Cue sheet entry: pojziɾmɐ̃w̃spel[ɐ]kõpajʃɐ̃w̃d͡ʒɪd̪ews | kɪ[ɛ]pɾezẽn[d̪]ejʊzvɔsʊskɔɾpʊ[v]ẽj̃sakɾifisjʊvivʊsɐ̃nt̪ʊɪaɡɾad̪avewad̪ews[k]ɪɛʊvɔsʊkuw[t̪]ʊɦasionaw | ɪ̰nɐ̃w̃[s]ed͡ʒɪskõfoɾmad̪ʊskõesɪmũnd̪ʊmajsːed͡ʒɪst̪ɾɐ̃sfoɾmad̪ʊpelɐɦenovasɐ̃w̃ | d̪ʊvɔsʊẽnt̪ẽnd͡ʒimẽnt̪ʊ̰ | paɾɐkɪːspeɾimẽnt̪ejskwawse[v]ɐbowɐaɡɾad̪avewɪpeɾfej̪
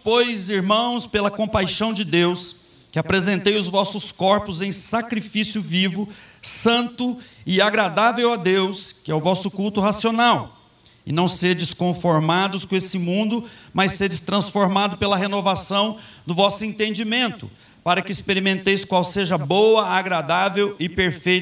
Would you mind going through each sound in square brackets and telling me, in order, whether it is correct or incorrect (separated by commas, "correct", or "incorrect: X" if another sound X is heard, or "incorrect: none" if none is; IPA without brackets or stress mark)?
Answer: correct, incorrect: a, incorrect: t̪, incorrect: z, correct, correct, correct, incorrect: ʒ